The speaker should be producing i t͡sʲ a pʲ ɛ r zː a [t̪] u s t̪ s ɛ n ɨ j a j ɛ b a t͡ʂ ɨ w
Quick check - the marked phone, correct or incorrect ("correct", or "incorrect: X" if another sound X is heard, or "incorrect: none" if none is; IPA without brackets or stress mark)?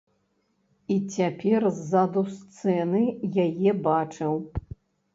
incorrect: d̪